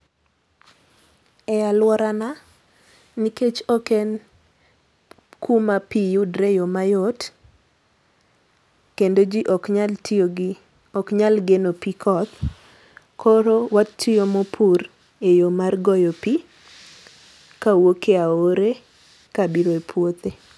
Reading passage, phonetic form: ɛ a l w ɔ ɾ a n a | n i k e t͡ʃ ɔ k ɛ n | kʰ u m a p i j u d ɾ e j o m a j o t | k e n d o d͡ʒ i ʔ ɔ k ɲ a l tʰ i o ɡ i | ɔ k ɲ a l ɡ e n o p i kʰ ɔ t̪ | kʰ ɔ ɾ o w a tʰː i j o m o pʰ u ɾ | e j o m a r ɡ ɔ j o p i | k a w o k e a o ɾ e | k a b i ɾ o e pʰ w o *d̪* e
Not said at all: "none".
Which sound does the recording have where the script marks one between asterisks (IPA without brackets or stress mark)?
t̪